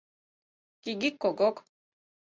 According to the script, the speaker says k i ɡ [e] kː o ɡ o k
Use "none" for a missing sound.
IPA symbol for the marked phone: i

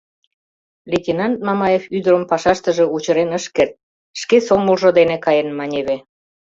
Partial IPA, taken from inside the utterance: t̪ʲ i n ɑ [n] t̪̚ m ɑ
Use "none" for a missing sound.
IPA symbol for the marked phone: n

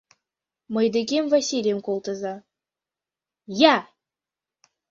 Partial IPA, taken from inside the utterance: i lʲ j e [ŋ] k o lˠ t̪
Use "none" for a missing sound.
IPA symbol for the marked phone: m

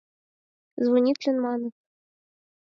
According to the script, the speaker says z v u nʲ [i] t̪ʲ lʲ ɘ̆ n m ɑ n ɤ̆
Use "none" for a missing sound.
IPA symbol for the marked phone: i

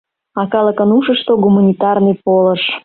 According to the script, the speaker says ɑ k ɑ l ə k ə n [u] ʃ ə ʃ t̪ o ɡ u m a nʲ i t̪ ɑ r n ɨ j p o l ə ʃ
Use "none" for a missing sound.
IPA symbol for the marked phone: u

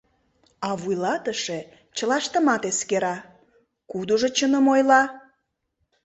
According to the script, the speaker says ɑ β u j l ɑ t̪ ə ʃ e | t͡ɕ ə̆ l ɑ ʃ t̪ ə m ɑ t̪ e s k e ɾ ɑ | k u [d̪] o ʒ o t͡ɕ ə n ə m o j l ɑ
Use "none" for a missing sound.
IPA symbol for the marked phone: d̪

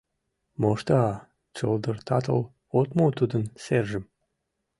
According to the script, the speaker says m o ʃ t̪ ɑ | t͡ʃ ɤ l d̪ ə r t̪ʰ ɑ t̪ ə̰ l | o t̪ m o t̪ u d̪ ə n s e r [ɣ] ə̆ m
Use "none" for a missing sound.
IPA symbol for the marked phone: ʒ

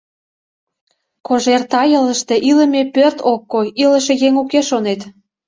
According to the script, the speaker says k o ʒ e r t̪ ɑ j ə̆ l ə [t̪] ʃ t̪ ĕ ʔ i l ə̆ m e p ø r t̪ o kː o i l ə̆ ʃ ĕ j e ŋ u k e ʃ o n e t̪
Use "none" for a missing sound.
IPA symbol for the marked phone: none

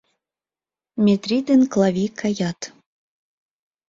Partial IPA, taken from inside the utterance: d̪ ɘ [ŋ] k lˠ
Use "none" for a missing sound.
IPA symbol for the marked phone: n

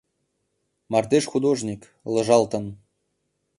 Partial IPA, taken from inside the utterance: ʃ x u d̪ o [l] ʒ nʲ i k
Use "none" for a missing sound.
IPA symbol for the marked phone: none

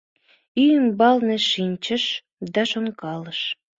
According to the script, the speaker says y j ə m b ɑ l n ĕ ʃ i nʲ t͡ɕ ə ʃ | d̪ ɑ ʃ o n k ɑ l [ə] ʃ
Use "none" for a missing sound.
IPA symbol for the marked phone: ə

